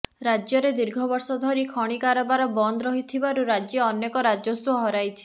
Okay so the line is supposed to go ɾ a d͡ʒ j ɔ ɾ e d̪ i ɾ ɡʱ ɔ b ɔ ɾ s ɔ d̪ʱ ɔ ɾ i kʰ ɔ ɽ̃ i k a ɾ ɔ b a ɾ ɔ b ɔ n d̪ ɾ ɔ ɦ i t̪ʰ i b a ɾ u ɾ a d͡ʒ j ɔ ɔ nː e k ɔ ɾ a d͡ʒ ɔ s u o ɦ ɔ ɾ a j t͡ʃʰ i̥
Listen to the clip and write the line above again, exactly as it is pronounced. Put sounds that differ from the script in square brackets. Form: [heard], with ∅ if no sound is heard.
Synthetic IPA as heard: ɾ a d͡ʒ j ɔ ɾ e d̪ i ɾ ɡʱ ɔ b ɔ ɾ s ɔ d̪ʱ ɔ ɾ i kʰ ɔ ɽ̃ i k a ɾ ɔ b a ɾ ɔ b ɔ n d̪ ɾ ɔ ɦ i t̪ʰ i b a ɾ u ɾ a d͡ʒ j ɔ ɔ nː e k ɔ ɾ a d͡ʒ ɔ s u [ɔ] ɦ ɔ ɾ a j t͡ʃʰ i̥